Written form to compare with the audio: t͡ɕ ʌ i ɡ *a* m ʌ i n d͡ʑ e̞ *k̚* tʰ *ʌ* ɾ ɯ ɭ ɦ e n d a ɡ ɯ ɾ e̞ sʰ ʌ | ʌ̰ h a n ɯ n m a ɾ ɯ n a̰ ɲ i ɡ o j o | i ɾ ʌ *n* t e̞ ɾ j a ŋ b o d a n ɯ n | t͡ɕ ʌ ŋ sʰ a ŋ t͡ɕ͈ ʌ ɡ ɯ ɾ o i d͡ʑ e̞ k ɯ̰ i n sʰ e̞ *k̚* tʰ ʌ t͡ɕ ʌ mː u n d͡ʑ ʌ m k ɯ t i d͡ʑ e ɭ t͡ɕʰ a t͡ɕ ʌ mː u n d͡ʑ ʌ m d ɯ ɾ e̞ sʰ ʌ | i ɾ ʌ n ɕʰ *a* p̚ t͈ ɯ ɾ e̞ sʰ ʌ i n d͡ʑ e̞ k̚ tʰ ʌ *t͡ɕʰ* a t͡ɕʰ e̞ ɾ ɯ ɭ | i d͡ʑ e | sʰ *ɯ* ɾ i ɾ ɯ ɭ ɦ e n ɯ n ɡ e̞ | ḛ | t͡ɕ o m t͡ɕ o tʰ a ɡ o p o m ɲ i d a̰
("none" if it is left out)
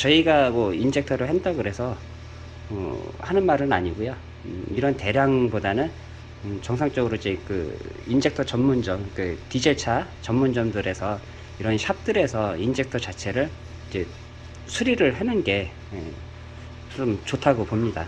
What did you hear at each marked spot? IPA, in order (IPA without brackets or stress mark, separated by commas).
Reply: a, k̚, ʌ, n, k̚, a, t͡ɕ, u